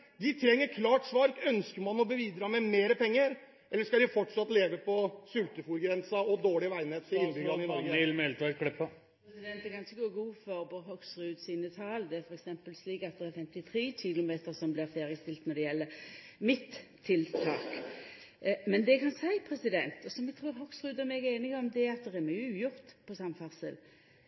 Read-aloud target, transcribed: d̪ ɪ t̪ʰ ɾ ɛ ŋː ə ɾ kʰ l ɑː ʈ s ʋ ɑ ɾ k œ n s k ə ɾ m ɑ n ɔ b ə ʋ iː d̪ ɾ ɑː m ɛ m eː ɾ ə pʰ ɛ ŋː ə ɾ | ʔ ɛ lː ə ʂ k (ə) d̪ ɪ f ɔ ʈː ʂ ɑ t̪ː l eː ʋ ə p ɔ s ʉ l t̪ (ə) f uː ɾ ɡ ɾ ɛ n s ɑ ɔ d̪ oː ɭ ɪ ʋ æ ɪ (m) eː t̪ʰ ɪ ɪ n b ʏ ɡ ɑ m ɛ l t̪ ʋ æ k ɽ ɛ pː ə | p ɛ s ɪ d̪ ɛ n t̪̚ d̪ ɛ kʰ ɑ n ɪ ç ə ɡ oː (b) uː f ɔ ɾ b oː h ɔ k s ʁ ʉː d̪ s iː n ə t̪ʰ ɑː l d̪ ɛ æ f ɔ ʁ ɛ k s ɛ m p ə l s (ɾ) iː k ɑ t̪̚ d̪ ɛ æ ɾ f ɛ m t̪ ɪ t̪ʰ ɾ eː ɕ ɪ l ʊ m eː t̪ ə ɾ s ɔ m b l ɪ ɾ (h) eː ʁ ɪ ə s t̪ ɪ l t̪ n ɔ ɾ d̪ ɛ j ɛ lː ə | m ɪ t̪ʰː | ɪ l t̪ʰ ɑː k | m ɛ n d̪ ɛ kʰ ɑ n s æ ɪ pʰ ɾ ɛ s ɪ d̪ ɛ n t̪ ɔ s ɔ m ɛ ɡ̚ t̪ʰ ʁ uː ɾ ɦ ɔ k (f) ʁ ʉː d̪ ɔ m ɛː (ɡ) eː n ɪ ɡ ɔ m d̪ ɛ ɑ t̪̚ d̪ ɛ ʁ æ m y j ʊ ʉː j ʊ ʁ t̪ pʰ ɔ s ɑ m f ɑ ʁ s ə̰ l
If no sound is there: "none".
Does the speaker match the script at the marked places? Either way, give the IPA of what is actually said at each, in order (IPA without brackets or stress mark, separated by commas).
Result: ɑ, ə, n, ɡ, l, f, s, ɡ